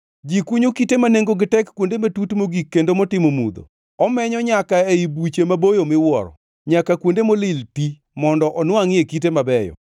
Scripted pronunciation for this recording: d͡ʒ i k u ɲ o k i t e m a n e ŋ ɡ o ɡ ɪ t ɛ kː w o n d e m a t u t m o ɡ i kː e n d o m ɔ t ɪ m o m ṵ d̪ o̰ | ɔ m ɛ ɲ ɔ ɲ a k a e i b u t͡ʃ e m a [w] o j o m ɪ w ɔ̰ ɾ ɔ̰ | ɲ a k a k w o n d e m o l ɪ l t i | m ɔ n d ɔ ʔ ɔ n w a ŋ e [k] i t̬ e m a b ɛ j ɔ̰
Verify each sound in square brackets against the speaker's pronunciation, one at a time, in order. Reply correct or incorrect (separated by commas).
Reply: incorrect, correct